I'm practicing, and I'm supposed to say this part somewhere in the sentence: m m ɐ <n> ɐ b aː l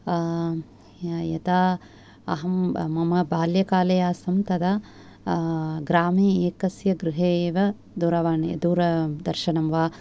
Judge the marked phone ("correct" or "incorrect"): incorrect